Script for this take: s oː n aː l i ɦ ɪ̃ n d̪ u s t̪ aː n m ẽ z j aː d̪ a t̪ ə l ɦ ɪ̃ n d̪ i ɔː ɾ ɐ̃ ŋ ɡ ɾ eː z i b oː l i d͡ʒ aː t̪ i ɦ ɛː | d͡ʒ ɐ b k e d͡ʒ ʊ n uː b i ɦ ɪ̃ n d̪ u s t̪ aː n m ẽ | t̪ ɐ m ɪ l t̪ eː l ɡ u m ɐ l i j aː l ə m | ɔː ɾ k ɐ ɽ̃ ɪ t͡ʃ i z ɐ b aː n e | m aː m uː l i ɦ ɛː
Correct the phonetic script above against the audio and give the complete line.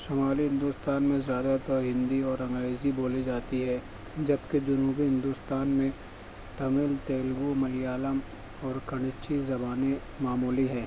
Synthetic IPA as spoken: s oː m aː l i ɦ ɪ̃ n d̪ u s t̪ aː n m ẽ z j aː d̪ a t̪ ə ɾ ɦ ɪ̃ n d̪ i ɔː ɾ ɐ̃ ŋ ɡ ɾ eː z i b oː l i d͡ʒ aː t̪ i ɦ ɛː | d͡ʒ ɐ b k e d͡ʒ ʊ n uː b i ɦ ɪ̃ n d̪ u s t̪ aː n m ẽ | t̪ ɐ m ɪ l t̪ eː l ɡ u m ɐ l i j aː l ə m | ɔː ɾ k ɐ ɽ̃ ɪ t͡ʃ i z ɐ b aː n e | m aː m uː l i ɦ ɛː